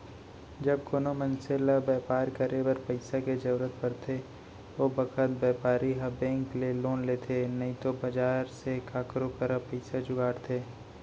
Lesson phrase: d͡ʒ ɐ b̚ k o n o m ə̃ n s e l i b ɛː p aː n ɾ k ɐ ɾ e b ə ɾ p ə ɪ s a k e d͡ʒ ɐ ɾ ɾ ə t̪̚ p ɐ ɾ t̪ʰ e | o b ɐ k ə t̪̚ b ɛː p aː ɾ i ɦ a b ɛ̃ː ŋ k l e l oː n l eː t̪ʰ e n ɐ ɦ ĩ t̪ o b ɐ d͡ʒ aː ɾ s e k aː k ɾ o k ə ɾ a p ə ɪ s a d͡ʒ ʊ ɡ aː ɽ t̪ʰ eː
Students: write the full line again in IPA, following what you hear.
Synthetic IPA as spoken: d͡ʒ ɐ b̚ k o n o m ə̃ n s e l a b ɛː p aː ɾ k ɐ ɾ e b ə ɾ p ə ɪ s a k e d͡ʒ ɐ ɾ ɾ ə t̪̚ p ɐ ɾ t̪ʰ e | o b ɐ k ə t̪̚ b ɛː p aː ɾ i ɦ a b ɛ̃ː ŋ k l e l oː n l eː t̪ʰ e n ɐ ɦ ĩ t̪ o b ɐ d͡ʒ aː ɾ s e k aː k ɾ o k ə ɾ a p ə ɪ s a d͡ʒ ʊ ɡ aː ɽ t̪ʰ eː